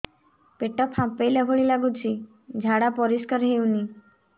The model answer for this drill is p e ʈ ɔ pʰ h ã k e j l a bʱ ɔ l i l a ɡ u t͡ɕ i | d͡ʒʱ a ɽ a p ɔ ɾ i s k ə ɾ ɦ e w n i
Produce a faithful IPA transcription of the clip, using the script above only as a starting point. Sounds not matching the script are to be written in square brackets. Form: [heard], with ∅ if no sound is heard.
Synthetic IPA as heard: p e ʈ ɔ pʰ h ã [p] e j l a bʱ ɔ [ɭ] i l a ɡ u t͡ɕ i | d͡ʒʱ a ɽ a p ɔ ɾ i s k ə ɾ ɦ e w n i